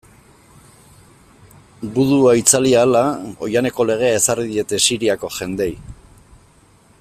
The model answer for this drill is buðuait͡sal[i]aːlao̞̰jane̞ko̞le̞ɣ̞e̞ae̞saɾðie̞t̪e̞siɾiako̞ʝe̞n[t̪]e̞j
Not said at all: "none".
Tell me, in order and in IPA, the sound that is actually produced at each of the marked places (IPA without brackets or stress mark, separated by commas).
i, d̪